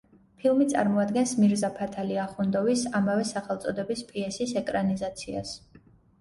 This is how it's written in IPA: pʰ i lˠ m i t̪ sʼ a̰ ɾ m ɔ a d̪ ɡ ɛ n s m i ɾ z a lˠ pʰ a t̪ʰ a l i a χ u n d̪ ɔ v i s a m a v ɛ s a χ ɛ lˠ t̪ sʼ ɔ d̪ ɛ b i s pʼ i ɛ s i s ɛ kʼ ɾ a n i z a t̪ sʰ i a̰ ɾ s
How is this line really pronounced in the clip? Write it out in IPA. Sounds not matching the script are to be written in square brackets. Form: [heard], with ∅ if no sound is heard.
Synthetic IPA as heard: pʰ i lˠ m i t̪ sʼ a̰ ɾ m ɔ a d̪ ɡ ɛ n s m i ɾ z a [∅] pʰ a t̪ʰ a l i a χ u n d̪ ɔ v i s a m a v ɛ s a χ ɛ lˠ t̪ sʼ ɔ d̪ ɛ b i s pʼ i ɛ s i s ɛ kʼ ɾ a n i z a t̪ sʰ i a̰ [∅] s